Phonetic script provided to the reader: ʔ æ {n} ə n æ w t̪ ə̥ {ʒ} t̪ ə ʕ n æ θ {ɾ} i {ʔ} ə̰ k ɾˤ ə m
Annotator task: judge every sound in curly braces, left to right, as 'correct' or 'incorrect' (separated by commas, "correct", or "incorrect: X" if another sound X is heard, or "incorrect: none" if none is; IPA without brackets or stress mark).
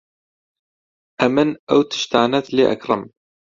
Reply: incorrect: m, incorrect: ʃ, incorrect: l, correct